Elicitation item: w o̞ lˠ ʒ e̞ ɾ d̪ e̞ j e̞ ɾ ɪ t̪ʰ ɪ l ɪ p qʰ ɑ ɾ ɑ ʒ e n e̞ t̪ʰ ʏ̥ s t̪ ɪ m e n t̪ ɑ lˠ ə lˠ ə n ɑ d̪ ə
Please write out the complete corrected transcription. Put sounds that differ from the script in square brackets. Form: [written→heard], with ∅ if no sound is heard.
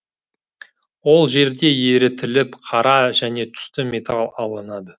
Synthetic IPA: w o̞ lˠ ʒ e̞ ɾ d̪ e̞ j e̞ ɾ ɪ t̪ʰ ɪ l ɪ p qʰ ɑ ɾ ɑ ʒ [e→æ] n e̞ t̪ʰ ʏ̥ s t̪ ɪ m e [n→∅] t̪ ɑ lˠ [ə→ɑ] lˠ ə n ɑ d̪ ə